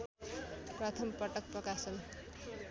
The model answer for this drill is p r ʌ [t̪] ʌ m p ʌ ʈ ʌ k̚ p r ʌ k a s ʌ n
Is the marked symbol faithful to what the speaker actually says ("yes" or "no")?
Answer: no